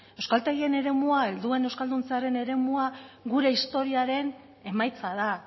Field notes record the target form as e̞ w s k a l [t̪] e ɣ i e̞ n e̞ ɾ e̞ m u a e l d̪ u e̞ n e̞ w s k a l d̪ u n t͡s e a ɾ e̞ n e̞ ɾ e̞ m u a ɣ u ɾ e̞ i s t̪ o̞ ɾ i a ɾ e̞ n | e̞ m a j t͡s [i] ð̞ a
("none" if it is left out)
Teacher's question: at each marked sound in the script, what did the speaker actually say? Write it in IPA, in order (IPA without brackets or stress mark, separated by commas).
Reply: t̪, a